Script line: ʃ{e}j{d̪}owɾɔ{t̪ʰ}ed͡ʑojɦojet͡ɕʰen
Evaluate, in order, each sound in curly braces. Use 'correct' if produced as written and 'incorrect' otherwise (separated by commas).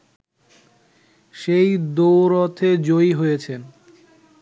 correct, correct, correct